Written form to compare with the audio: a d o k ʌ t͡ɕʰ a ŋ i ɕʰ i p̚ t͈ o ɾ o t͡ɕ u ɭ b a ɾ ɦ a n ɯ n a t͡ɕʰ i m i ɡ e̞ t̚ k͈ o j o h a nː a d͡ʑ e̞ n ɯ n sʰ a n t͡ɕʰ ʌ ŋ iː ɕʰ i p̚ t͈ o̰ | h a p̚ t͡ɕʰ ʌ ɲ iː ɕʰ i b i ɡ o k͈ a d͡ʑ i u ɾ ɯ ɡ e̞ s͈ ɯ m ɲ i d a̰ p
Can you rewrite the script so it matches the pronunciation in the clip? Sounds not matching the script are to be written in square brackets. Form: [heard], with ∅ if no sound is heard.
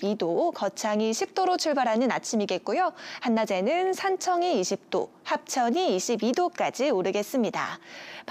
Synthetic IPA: [i] d o k ʌ t͡ɕʰ a ŋ i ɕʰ i p̚ t͈ o ɾ o [t͡ɕʰ] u ɭ b a ɾ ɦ a n ɯ n a t͡ɕʰ i m i ɡ e̞ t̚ k͈ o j o h a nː a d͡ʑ e̞ n ɯ n sʰ a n t͡ɕʰ ʌ ŋ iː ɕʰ i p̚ t͈ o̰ | h a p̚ t͡ɕʰ ʌ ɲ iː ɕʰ i b i [d] o k͈ a d͡ʑ i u ɾ ɯ ɡ e̞ s͈ ɯ m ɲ i d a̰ p